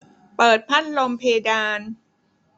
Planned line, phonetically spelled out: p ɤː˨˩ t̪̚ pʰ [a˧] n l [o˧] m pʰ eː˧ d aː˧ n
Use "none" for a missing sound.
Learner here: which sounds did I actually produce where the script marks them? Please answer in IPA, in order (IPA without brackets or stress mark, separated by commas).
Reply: a˥˩, o˧